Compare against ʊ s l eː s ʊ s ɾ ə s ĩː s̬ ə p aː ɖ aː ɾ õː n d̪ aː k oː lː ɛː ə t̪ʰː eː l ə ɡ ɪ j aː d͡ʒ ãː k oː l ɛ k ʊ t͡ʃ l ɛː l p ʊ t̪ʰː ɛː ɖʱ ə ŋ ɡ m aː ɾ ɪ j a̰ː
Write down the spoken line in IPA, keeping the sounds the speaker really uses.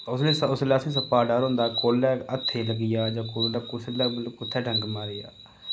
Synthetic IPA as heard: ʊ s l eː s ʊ s l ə s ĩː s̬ ə p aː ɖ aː ɾ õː n d̪ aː k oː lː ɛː ə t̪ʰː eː l ə ɡ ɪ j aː d͡ʒ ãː k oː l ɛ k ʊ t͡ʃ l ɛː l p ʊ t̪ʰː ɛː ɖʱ ə ŋ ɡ m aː ɾ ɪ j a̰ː

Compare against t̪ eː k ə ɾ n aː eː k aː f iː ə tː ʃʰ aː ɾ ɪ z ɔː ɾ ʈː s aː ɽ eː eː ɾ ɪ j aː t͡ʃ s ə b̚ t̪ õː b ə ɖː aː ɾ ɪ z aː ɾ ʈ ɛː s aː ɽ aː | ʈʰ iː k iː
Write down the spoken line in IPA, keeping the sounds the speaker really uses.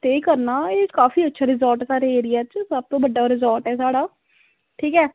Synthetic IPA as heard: t̪ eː k ə ɾ n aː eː k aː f iː ə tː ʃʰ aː ɾ ɪ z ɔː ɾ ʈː s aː ɾ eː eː ɾ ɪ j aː t͡ʃ s ə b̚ t̪ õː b ə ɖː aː ɾ ɪ z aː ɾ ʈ ɛː s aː ɽ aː | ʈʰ iː k ɛː

